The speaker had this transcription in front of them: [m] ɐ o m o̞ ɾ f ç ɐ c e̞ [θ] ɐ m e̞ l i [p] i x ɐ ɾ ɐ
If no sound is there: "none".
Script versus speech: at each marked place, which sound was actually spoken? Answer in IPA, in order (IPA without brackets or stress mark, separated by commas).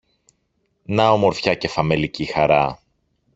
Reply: n, f, c